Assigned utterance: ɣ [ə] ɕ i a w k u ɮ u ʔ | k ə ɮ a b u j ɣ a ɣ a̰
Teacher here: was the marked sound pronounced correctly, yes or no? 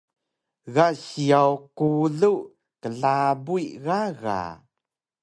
no